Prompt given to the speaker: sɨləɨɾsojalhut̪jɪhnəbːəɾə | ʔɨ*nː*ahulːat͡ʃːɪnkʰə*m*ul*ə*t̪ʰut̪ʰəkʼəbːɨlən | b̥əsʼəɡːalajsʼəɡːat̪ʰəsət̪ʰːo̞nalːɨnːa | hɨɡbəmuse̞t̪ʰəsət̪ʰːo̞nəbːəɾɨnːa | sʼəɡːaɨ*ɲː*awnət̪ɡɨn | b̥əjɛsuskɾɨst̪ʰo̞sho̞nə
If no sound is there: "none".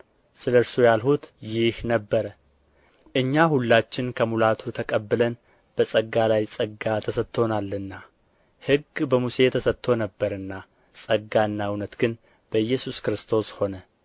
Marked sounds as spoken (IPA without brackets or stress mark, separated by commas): ɲː, m, a, nː